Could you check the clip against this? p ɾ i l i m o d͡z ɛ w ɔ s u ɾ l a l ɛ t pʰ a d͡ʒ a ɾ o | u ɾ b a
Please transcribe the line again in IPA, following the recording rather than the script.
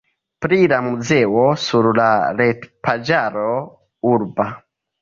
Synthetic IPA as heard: p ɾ i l a m u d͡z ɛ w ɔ s u ɾ l a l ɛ t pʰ a d͡ʒ a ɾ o | u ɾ b a